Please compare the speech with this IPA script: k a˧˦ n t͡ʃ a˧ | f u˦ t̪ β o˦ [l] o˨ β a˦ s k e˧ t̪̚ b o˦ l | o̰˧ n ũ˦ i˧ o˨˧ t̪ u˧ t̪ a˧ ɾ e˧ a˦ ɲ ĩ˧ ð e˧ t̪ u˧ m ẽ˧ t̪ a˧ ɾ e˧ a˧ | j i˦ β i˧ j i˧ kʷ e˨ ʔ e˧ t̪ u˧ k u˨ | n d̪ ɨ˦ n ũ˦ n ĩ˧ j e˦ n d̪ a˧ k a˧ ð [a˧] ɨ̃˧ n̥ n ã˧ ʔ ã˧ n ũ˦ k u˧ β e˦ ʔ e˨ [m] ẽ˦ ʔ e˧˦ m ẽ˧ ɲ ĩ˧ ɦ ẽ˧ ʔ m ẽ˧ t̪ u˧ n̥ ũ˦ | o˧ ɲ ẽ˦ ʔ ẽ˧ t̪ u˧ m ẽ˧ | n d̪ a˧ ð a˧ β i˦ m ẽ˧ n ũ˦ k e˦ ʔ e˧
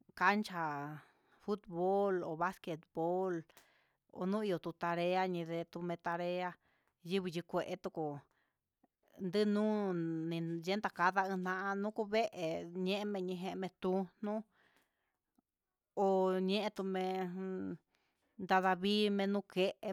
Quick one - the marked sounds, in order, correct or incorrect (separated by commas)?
correct, correct, incorrect